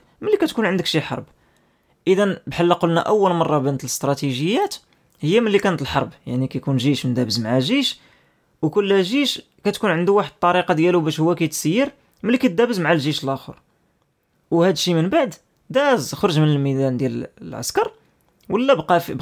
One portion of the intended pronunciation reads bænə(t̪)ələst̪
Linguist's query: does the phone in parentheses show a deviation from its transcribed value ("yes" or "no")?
no